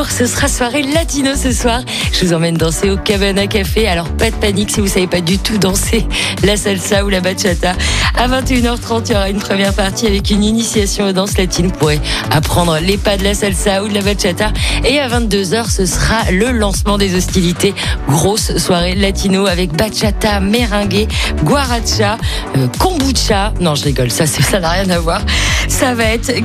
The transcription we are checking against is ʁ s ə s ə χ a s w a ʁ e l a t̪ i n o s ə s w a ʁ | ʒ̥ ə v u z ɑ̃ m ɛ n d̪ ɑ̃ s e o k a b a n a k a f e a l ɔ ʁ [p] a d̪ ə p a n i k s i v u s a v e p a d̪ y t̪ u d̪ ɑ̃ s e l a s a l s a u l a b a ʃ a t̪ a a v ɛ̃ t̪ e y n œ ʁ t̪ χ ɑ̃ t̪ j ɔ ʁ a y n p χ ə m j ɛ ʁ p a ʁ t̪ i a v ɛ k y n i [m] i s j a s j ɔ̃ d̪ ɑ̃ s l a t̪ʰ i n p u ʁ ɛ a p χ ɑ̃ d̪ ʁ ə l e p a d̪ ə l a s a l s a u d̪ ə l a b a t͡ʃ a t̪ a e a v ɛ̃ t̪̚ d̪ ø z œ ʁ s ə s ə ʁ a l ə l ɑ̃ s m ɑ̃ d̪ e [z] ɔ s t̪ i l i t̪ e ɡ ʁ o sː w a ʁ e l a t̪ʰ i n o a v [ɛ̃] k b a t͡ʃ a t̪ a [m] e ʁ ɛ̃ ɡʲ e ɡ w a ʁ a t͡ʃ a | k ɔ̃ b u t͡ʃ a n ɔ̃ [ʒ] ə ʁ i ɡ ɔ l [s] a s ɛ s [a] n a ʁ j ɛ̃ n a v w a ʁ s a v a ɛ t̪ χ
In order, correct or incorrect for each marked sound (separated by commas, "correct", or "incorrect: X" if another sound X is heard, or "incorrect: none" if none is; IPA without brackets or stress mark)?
correct, incorrect: n, correct, incorrect: ɛ, correct, correct, correct, correct